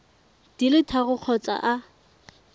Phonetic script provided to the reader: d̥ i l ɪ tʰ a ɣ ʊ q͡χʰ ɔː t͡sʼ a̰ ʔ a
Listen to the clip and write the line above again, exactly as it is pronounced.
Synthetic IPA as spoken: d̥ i l ɪ tʰ a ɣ ʊ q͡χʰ ɔ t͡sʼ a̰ ʔ a